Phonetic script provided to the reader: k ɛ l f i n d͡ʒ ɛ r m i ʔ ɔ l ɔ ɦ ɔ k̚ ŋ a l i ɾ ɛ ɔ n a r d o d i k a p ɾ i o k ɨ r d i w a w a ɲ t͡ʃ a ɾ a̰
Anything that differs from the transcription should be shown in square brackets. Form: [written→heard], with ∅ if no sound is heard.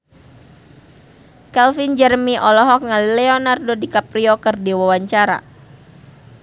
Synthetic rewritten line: k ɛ l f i n d͡ʒ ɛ r m i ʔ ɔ l ɔ ɦ ɔ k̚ ŋ a l i [ɾ→l] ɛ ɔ n a r d o d i k a p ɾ i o k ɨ r d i w a w a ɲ t͡ʃ a ɾ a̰